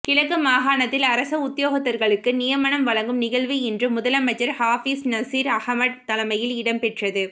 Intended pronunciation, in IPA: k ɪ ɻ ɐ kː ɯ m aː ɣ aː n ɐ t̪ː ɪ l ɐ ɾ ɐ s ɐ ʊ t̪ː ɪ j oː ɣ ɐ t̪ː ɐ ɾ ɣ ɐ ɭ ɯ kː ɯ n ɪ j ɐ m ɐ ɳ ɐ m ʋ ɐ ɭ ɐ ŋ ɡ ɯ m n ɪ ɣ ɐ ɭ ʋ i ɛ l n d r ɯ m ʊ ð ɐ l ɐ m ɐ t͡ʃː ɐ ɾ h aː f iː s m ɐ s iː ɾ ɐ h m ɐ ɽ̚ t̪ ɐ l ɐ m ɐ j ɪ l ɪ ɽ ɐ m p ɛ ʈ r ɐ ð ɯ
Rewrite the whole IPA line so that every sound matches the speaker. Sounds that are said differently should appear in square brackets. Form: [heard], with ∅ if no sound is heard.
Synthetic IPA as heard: k ɪ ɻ ɐ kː ɯ m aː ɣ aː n ɐ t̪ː ɪ l ɐ ɾ ɐ s ɐ ʊ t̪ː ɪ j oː ɣ ɐ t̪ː ɐ ɾ ɣ ɐ ɭ ɯ kː ɯ n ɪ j ɐ m ɐ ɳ ɐ m ʋ ɐ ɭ ɐ ŋ ɡ ɯ m n ɪ ɣ ɐ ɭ ʋ i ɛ [∅] n d r ɯ m ʊ ð ɐ l ɐ m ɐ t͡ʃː ɐ ɾ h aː f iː s [n] ɐ s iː ɾ ɐ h m ɐ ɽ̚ t̪ ɐ l ɐ m ɐ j ɪ l ɪ ɽ ɐ m p ɛ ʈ r ɐ ð ɯ